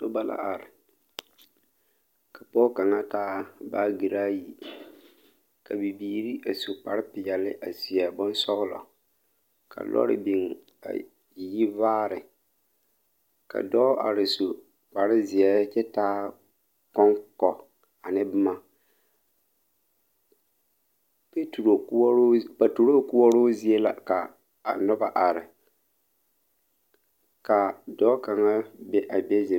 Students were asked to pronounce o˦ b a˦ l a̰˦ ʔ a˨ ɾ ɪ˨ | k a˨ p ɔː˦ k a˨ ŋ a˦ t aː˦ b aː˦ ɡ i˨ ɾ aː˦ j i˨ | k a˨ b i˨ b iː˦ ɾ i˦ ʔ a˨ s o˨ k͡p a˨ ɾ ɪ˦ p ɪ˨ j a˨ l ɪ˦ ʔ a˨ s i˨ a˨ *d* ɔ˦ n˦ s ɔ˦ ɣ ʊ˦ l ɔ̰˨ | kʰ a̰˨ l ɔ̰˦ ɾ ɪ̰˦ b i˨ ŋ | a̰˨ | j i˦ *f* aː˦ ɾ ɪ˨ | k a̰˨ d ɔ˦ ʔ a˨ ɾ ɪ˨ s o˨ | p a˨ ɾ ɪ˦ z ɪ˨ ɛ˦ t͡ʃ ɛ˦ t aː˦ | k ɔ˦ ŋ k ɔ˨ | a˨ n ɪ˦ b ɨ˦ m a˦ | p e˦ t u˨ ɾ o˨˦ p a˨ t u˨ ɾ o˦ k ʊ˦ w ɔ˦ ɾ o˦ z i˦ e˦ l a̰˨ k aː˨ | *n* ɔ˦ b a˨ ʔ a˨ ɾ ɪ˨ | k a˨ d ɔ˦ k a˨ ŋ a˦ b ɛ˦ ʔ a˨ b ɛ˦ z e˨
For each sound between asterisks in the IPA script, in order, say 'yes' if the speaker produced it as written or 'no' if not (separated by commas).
no, no, yes